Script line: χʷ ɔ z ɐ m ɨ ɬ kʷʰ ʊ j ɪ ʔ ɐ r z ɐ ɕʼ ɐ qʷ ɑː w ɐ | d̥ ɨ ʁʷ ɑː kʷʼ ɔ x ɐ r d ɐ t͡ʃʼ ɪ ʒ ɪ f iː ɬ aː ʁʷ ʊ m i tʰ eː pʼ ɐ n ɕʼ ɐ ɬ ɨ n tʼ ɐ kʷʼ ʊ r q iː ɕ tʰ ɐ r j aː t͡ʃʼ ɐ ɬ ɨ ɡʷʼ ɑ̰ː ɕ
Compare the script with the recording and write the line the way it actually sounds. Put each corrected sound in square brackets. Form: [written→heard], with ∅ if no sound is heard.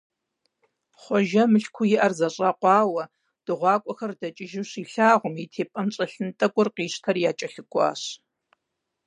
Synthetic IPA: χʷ ɔ [z→ʒ] ɐ m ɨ ɬ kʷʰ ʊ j ɪ ʔ ɐ r z ɐ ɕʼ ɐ qʷ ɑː w ɐ | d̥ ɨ ʁʷ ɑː kʷʼ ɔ x ɐ r d ɐ t͡ʃʼ ɪ ʒ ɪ [f→ɕ] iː ɬ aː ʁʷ ʊ m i tʰ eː pʼ ɐ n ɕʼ ɐ ɬ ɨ n tʼ ɐ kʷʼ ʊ r q iː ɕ tʰ ɐ r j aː t͡ʃʼ ɐ ɬ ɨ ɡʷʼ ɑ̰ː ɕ